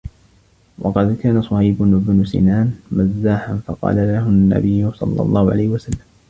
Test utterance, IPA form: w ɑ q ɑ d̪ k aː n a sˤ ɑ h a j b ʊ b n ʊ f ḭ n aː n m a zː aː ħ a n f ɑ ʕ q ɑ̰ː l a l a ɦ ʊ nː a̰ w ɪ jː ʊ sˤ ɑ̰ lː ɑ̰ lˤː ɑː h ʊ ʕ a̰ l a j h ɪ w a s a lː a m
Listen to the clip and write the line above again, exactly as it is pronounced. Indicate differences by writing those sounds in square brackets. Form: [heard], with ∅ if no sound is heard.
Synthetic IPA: w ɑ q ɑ d̪ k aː n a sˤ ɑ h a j b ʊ b n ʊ [s] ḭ n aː n m a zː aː ħ a n f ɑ [∅] q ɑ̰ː l a l a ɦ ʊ nː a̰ [b] ɪ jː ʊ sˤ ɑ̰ lː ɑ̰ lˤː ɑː h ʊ ʕ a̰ l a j h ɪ w a s a lː a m